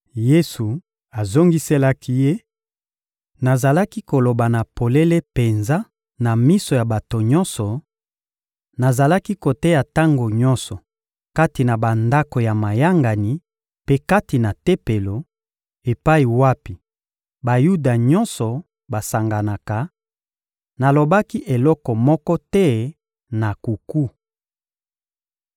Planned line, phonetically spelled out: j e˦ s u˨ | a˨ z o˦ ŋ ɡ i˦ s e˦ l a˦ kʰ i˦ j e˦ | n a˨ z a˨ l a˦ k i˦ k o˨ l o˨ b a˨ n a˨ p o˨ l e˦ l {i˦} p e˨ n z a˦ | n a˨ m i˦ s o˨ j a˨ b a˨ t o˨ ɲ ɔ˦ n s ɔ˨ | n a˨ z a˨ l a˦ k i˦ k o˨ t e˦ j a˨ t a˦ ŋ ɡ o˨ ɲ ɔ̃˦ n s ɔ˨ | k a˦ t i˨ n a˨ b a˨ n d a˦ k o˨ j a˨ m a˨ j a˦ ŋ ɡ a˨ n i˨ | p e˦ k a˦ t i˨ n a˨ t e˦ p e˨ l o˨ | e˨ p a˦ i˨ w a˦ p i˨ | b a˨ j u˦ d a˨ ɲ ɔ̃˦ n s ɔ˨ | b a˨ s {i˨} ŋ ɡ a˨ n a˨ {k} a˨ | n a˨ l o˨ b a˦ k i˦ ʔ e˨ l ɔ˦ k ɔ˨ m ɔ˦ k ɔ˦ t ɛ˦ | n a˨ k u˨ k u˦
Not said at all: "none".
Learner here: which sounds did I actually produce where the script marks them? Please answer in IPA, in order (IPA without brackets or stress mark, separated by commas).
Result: e˦, a˨, k